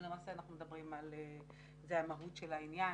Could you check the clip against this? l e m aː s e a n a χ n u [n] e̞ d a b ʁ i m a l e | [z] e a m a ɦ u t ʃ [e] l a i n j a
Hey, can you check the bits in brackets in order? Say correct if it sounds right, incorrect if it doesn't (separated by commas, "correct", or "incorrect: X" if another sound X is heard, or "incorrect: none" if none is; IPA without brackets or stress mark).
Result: incorrect: m, correct, correct